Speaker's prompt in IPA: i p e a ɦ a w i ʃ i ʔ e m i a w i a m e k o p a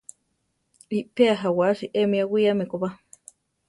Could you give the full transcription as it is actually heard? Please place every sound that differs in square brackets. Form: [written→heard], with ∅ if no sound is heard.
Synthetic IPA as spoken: i p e a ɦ a w [i→a] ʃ i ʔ e m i a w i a m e k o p a

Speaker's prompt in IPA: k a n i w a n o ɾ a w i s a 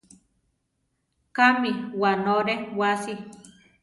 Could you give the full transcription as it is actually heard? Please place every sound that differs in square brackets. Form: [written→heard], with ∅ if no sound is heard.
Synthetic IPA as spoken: k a [n→m] i w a n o ɾ [a→e] w [i→a] s [a→i]

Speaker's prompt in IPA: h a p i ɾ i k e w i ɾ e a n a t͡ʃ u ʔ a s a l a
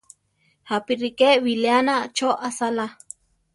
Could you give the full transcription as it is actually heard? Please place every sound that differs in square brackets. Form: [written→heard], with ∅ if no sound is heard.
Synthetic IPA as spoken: h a p i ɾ i k e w i [ɾ→l] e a n a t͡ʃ [u→o] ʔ a s a l a

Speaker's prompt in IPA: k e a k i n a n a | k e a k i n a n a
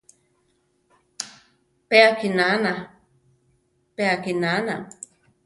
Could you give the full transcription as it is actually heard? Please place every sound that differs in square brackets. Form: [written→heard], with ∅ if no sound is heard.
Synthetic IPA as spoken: [k→p] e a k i n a n a | [k→p] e a k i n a n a

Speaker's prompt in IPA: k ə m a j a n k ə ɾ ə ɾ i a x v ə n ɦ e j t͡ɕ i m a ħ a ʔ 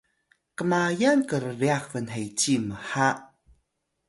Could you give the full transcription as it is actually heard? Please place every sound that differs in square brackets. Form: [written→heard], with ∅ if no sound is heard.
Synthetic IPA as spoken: k ə m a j a n k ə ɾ ə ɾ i a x v ə n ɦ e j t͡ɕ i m [a→ə] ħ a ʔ

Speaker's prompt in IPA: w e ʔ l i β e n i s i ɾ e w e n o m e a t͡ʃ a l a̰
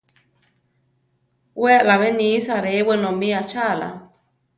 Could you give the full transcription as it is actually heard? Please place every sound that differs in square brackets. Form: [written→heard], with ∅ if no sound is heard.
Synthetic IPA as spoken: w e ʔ l [i→a] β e n i s [i→a] ɾ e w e n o m [e→i] a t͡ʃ a l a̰

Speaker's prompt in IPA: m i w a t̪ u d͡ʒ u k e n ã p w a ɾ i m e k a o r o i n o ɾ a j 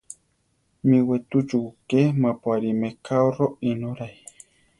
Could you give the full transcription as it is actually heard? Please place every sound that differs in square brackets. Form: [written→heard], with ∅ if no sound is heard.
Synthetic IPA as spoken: m i w [a→e] t̪ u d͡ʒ u k e [n→m] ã p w a ɾ i m e k a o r o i n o ɾ a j

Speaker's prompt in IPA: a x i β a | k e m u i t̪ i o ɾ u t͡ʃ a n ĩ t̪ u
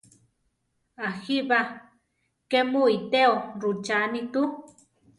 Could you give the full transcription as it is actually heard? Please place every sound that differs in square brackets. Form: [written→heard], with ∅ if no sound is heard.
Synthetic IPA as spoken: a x i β a | k e m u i t̪ [i→e] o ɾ u t͡ʃ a n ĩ t̪ u

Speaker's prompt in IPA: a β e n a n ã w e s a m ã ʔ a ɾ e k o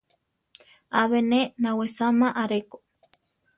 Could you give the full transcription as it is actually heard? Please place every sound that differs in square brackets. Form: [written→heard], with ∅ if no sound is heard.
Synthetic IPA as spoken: a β e n [a→e] n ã w e s a m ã ʔ a ɾ e k o

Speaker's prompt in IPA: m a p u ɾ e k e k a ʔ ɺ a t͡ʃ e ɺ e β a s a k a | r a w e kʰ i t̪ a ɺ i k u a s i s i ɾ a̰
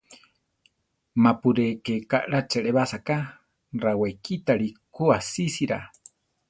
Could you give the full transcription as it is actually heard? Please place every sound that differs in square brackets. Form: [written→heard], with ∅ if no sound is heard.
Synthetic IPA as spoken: m a p u ɾ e k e k a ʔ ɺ a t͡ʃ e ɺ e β a s a k a | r a w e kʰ i t̪ a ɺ i k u a s i s i ɾ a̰

